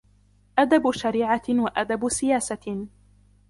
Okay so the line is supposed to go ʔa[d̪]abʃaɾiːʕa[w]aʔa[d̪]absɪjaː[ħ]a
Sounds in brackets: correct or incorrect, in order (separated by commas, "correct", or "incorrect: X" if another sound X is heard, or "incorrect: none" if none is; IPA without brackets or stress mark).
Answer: correct, correct, correct, incorrect: s